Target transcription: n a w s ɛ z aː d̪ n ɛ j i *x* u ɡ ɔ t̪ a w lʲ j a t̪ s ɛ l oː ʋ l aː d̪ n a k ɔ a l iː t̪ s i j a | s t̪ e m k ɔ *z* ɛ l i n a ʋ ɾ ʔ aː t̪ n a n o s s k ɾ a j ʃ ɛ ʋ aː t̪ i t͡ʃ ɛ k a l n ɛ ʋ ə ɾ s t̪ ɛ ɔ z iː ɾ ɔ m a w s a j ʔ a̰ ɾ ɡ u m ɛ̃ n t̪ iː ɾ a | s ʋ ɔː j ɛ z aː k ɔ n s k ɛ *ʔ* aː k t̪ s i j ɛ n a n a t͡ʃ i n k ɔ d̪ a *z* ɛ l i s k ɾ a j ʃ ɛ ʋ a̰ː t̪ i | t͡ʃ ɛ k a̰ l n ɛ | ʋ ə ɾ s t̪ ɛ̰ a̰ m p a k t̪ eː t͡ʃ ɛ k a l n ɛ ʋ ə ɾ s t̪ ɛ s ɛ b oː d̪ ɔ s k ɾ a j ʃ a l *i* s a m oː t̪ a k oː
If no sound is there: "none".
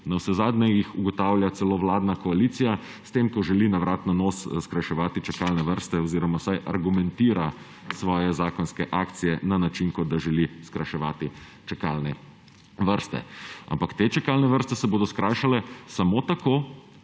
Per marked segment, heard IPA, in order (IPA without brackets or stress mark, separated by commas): x, ʒ, ʔ, ʒ, ɛ